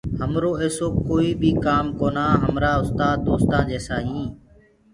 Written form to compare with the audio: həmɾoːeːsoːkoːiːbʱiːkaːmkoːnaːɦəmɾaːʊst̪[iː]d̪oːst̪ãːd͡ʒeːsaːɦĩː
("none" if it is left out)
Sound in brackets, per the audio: aː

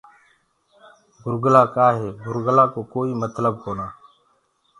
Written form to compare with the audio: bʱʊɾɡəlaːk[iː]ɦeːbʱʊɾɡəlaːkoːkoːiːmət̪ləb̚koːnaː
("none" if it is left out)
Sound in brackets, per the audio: aː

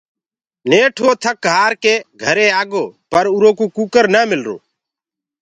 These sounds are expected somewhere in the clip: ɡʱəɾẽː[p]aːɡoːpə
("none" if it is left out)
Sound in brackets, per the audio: none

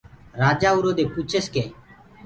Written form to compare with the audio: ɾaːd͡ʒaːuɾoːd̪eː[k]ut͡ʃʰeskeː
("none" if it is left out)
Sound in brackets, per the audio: p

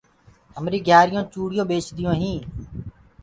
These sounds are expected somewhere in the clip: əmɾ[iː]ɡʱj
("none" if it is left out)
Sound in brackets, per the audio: iː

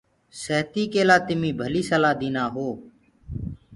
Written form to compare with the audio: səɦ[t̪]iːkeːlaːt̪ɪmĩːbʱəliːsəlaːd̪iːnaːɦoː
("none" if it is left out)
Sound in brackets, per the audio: t̪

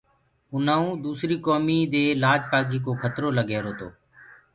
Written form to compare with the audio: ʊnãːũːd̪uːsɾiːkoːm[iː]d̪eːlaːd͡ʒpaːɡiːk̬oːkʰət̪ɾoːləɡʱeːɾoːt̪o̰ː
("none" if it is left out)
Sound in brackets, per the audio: iː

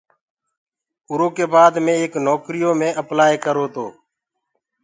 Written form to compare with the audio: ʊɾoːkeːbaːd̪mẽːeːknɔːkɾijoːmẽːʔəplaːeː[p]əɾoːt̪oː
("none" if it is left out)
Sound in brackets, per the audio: k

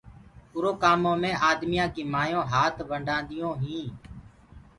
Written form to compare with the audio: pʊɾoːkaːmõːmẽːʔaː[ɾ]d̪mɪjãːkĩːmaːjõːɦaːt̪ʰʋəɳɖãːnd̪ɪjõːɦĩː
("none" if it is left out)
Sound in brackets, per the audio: none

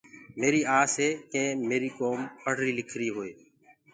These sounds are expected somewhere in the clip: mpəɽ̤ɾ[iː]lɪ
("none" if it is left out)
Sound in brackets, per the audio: iː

